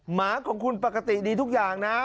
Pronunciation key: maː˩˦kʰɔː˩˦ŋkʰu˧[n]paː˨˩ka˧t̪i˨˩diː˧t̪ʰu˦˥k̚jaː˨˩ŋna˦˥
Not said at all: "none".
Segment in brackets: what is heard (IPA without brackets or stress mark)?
n